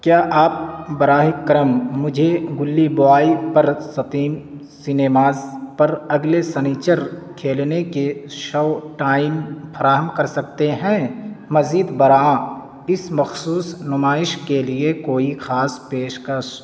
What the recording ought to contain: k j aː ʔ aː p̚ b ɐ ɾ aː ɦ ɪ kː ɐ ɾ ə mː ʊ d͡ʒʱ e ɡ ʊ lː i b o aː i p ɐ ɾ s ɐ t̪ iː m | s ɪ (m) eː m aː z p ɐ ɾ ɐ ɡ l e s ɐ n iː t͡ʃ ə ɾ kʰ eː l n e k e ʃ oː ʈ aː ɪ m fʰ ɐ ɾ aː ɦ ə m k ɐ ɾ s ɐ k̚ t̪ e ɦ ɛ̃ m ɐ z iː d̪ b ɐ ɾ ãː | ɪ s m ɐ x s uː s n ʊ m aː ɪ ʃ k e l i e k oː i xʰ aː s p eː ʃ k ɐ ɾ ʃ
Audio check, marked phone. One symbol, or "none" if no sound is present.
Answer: n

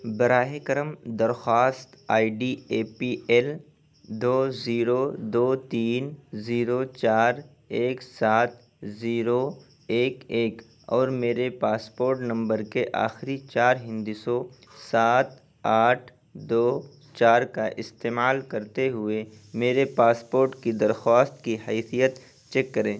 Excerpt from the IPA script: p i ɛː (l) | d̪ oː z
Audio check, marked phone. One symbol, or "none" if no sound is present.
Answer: l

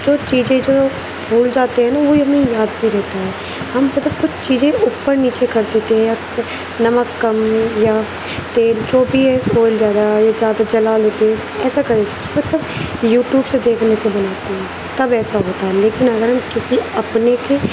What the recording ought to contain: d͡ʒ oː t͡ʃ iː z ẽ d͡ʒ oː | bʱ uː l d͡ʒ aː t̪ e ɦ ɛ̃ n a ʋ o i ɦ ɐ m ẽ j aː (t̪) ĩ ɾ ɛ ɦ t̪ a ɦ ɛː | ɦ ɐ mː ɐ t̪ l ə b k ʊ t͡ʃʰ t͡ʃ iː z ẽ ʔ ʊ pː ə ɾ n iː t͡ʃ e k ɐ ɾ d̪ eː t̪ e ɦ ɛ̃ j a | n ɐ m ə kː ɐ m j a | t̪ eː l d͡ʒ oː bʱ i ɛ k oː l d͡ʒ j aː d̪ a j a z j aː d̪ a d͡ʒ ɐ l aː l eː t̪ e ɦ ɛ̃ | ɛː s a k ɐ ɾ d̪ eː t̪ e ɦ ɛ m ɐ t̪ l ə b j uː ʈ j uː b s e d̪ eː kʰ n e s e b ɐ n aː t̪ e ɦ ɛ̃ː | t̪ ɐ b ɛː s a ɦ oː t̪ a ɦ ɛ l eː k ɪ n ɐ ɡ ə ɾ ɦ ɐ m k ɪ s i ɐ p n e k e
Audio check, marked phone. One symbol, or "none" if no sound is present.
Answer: d̪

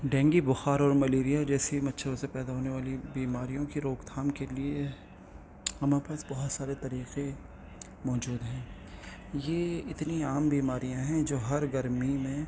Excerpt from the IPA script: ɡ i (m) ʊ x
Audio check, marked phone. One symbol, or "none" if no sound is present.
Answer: b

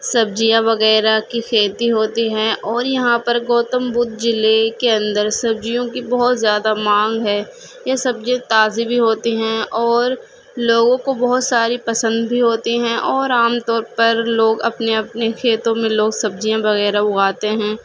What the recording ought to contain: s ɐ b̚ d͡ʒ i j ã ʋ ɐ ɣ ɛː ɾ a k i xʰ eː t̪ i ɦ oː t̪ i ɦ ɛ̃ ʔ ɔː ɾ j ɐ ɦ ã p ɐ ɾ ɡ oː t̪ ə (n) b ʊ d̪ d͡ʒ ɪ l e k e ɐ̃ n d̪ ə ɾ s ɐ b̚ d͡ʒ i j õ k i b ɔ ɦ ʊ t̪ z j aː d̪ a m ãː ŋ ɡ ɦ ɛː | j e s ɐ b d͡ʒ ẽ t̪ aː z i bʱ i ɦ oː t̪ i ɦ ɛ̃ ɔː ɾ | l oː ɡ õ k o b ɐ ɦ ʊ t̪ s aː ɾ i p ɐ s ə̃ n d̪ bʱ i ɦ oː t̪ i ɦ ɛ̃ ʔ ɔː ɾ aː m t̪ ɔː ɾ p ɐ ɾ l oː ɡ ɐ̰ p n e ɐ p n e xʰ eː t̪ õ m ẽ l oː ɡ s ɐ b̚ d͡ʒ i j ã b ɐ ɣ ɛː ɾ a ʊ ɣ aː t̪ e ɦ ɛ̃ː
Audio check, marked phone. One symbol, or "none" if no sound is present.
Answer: m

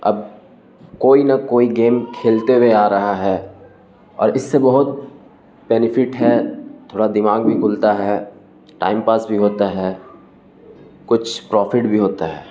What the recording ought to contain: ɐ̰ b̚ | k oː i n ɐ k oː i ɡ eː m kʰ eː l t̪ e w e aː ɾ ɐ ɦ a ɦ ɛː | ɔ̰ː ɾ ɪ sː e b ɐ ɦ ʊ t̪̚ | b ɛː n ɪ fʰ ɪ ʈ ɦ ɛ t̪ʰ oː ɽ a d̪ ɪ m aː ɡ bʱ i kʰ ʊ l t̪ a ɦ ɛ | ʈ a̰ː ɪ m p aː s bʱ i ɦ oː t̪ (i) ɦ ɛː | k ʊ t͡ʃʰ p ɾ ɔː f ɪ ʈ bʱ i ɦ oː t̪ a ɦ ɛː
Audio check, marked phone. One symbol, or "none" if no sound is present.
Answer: a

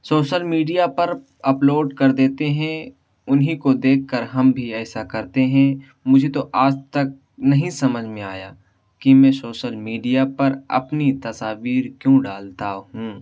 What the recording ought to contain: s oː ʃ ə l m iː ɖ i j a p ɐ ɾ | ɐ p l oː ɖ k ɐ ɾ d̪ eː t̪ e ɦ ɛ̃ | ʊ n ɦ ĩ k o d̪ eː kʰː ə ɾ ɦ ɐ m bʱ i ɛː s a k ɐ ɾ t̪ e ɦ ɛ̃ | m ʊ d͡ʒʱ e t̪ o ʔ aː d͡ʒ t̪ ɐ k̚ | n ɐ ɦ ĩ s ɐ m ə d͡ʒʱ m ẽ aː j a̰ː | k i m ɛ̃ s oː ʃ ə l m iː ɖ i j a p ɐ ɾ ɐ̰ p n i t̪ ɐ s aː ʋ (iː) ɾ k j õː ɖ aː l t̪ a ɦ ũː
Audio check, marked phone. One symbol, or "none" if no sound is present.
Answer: iː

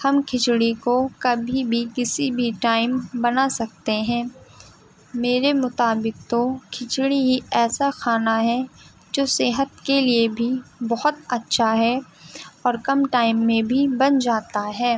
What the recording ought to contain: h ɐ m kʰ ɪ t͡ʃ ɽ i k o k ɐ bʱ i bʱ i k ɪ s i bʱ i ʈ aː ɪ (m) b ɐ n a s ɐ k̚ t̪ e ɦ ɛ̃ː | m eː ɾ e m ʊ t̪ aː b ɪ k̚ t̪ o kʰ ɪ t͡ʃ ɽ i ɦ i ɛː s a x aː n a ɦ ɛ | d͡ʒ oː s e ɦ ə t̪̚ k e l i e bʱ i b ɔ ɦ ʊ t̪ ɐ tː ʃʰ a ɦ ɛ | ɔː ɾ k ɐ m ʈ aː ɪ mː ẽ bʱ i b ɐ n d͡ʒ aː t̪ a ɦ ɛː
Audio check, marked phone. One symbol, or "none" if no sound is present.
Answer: m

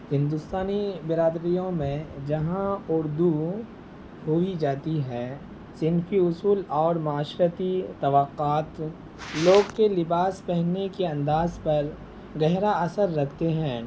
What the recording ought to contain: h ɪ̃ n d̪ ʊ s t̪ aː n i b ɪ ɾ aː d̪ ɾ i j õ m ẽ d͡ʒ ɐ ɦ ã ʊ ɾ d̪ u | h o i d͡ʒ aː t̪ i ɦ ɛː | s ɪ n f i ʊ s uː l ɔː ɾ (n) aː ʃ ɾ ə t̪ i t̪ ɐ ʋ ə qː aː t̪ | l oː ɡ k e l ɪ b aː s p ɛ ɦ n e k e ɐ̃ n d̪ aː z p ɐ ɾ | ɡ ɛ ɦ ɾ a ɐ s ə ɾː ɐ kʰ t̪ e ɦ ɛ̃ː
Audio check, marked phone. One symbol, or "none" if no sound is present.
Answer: m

